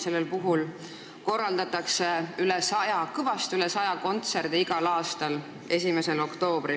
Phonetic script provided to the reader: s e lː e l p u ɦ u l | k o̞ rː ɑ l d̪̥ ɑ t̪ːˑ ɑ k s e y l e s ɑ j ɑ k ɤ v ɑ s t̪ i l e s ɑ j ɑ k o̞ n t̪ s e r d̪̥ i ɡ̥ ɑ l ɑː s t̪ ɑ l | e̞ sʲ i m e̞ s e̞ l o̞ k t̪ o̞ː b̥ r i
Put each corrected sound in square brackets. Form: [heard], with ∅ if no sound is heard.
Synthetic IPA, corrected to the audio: s e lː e l p u ɦ u l | k o̞ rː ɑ l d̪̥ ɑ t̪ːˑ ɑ k s e y l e s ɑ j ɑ k ɤ v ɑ s t̪ [y] l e s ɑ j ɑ k o̞ n t̪ s e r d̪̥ i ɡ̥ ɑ l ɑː s t̪ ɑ l | e̞ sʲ i m e̞ s e̞ l o̞ k t̪ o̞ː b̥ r i